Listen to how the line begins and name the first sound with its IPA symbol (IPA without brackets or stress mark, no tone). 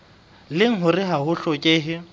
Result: l